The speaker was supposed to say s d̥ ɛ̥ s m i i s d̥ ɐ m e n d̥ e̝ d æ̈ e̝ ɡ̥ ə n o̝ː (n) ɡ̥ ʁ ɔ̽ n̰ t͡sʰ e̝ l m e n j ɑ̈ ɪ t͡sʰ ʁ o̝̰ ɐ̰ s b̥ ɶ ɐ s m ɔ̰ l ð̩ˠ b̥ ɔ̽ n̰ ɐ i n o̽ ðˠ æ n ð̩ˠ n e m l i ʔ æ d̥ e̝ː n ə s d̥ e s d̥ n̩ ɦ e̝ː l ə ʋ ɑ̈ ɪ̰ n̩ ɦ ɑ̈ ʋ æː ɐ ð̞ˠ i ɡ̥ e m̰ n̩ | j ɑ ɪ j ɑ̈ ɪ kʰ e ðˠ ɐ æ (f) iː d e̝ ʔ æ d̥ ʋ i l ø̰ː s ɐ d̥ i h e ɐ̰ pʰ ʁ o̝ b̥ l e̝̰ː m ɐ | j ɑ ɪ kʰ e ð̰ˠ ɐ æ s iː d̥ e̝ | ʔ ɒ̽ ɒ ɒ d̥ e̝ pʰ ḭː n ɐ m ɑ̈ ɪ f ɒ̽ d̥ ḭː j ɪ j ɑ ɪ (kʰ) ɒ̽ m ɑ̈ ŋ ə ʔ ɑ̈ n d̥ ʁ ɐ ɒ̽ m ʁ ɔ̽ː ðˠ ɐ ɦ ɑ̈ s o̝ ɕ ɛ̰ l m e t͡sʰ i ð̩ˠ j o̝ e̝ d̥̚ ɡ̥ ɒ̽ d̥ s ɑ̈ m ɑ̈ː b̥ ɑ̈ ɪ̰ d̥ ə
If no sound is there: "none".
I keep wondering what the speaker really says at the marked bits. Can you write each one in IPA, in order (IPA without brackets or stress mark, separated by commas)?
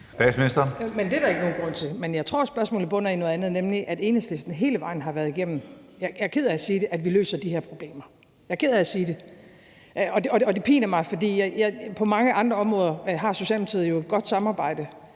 n, s, pʰ